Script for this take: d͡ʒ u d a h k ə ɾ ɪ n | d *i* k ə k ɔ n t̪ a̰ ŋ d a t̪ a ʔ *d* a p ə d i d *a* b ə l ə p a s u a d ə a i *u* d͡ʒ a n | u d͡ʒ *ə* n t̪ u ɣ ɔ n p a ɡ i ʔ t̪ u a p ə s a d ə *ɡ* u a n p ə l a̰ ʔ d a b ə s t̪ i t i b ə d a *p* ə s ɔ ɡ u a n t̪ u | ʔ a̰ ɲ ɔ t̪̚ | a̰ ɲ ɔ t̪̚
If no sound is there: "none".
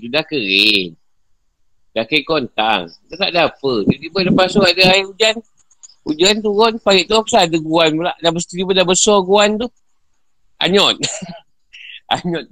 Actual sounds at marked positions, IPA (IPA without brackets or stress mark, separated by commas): a, d, i, u, a, ɡ, b